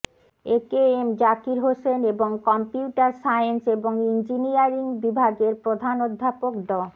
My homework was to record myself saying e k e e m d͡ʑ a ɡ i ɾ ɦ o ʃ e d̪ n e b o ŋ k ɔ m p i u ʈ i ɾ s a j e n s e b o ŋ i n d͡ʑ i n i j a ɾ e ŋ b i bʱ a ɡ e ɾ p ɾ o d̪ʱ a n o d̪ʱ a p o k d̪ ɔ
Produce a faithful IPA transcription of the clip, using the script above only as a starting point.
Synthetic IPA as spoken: e k e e m d͡ʑ a k i ɾ ɦ o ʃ e n e b o ŋ k ɔ m p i u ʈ a ɾ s a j e n s e b o ŋ i n d͡ʑ i n i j a ɾ i ŋ b i bʱ a ɡ e ɾ p ɾ o d̪ʱ a n o d̪ʱː a p o k d̪ ɔ